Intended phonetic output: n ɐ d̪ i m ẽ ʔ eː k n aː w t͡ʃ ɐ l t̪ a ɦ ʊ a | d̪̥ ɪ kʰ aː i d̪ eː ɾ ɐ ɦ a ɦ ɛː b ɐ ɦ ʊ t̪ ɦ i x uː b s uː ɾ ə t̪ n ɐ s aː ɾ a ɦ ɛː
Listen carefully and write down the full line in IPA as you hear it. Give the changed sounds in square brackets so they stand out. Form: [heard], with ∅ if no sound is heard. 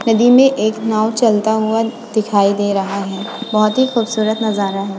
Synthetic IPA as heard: n ɐ d̪ i m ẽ ʔ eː k n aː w t͡ʃ ɐ l t̪ a ɦ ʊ a | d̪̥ ɪ kʰ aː i d̪ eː ɾ ɐ ɦ a ɦ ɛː b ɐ ɦ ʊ t̪ ɦ i x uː b s uː ɾ ə t̪ n ɐ [z] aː ɾ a ɦ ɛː